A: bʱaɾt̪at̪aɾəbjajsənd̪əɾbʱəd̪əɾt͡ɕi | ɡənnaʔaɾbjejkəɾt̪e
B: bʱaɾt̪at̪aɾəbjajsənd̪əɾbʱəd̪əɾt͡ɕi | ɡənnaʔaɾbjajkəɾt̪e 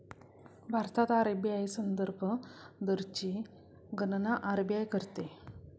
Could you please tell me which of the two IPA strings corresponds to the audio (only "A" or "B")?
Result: B